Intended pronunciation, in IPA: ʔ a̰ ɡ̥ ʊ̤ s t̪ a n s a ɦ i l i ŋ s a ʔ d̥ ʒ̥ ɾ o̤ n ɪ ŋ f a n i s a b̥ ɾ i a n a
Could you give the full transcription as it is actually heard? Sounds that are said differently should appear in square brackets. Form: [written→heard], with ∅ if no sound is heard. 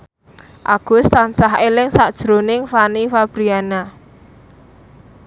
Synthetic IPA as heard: ʔ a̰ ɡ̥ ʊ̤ s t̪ a n s a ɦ [i→e] l [i→ɪ] ŋ s a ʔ d̥ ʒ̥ ɾ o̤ n ɪ ŋ f a n i [s→f] a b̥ ɾ i a n a